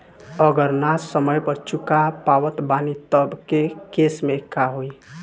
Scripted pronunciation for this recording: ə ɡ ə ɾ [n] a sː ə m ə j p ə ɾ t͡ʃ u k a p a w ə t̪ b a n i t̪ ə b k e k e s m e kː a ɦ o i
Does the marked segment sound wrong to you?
no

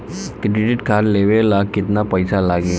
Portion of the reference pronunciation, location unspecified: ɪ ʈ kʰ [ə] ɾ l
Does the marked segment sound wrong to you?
yes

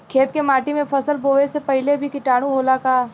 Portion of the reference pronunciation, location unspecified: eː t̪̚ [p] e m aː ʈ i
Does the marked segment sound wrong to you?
yes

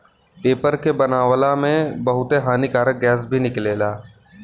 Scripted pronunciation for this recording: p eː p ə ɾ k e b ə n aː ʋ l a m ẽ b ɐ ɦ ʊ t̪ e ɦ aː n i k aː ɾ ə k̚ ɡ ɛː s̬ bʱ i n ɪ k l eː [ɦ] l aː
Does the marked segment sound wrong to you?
yes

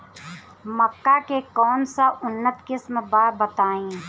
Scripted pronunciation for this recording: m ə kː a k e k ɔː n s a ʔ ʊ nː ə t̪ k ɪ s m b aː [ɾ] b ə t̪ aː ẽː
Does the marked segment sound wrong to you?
no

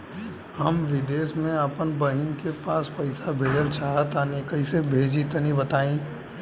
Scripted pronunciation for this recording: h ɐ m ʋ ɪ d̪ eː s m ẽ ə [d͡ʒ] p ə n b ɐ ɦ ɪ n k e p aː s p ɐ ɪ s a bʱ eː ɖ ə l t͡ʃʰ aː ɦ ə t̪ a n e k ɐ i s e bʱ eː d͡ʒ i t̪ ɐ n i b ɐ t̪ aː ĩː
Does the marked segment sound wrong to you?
yes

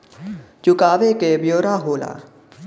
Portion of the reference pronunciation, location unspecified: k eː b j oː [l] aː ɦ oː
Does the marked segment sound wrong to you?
yes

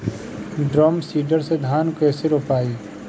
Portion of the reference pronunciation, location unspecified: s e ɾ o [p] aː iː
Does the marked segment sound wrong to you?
no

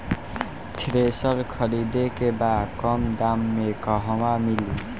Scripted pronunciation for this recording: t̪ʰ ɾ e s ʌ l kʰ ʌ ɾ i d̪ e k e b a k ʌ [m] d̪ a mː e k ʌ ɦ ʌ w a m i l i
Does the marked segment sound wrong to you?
no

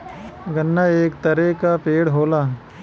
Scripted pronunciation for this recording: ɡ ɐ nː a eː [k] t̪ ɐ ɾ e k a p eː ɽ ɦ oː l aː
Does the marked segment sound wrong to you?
no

